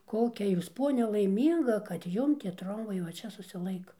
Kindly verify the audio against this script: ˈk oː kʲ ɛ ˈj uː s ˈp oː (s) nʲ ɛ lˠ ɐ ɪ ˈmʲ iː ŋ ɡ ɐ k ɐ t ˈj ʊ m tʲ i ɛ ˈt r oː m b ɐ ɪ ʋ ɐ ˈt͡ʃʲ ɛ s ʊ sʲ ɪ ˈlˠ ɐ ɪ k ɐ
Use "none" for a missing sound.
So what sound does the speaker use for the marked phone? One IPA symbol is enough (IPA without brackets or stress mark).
none